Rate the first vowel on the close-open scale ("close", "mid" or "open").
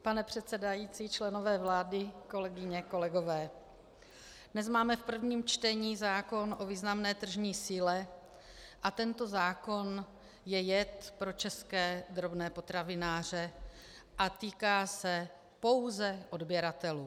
open